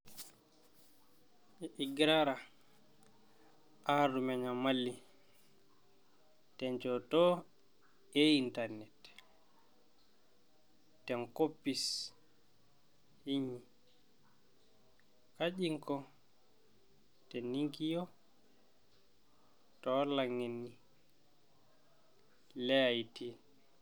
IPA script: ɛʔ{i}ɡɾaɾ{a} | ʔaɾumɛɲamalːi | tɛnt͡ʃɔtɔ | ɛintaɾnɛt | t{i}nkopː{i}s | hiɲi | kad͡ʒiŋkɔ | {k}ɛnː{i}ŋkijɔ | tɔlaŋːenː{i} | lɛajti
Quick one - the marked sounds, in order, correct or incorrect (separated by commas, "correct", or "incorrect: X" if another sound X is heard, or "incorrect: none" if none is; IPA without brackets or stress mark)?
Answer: correct, correct, incorrect: ɛ, correct, incorrect: t, correct, correct